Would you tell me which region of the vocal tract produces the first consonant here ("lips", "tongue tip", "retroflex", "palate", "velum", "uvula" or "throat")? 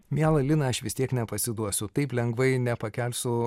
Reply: lips